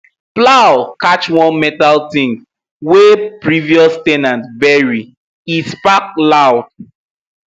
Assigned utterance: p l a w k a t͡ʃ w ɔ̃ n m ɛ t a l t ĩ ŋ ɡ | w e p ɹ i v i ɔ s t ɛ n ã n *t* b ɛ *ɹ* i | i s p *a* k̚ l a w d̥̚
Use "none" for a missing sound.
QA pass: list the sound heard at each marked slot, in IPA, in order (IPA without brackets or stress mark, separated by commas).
t, ɹ, a